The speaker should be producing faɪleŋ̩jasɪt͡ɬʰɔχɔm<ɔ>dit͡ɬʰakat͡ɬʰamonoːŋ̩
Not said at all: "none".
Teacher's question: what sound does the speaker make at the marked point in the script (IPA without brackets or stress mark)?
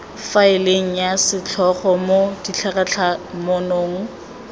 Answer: o